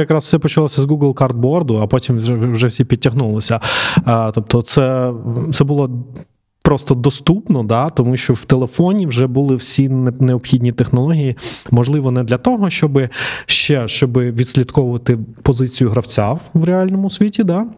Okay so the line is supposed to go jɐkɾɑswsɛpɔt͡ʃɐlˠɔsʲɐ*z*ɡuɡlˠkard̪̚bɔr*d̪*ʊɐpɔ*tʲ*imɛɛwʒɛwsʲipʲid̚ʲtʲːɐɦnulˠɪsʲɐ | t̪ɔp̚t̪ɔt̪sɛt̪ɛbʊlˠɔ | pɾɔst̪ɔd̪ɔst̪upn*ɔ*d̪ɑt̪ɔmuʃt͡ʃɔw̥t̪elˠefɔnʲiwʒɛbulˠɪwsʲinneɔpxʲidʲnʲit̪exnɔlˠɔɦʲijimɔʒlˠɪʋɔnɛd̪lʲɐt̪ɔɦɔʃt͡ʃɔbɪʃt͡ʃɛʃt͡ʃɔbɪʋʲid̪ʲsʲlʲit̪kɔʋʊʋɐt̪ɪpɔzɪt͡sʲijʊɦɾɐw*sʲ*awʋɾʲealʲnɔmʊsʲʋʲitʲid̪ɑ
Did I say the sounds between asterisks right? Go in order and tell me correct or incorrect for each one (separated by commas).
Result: correct, correct, correct, correct, incorrect